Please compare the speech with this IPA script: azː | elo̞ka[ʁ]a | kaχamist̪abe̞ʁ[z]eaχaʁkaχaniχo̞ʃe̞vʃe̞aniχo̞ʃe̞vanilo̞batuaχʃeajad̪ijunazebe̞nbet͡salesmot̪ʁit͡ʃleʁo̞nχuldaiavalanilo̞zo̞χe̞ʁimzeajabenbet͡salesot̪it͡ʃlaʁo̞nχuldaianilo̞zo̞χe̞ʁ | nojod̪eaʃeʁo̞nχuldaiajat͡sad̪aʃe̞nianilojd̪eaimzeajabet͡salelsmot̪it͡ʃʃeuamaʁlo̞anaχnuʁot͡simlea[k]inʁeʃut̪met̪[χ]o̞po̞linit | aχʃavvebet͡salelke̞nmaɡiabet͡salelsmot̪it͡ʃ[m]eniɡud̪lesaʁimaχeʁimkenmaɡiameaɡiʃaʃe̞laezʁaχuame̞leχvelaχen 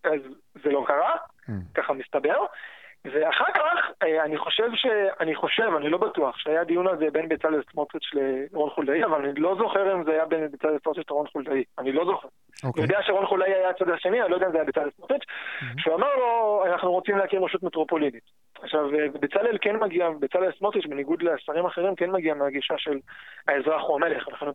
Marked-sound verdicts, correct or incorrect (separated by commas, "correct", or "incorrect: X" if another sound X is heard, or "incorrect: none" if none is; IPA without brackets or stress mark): correct, incorrect: v, correct, incorrect: ʁ, incorrect: b